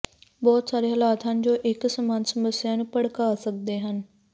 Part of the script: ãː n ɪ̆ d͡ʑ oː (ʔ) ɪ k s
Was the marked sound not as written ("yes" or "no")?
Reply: no